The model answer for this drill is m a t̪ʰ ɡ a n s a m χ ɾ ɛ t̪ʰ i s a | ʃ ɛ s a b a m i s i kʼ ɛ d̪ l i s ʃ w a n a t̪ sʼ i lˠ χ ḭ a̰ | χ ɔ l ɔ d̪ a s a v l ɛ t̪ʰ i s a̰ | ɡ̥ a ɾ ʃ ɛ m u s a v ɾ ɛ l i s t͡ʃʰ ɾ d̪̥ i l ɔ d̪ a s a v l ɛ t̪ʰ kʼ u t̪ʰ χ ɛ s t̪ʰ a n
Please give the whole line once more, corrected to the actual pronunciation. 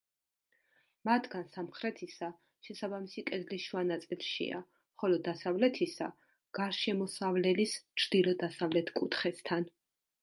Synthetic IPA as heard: m a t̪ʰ ɡ a n s a m χ ɾ ɛ t̪ʰ i s a | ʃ ɛ s a b a m i s i kʼ ɛ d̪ l i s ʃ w a n a t̪ sʼ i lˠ ʃ ḭ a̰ | χ ɔ l ɔ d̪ a s a v l ɛ t̪ʰ i s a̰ | ɡ̥ a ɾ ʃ ɛ m ɔ s a v l ɛ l i s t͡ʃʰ ɾ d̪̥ i l ɔ d̪ a s a v l ɛ t̪ʰ kʼ u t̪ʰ χ ɛ s t̪ʰ a n